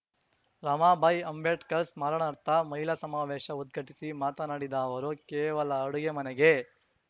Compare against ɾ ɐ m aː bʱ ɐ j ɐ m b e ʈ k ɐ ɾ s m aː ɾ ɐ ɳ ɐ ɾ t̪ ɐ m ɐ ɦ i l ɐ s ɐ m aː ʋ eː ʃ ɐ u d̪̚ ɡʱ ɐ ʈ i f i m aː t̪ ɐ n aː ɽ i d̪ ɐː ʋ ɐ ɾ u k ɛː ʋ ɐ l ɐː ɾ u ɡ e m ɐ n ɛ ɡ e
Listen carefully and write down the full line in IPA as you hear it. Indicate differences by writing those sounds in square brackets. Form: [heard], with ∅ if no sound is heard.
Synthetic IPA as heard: ɾ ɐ m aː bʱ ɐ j ɐ m b e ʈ k ɐ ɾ s m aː ɾ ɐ ɳ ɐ ɾ t̪ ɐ m ɐ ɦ i l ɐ s ɐ m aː ʋ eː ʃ ɐ u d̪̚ ɡʱ ɐ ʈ i [s] i m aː t̪ ɐ n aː ɽ i d̪ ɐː ʋ ɐ ɾ u k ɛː ʋ ɐ l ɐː [ɽ] u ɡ e m ɐ n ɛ ɡ e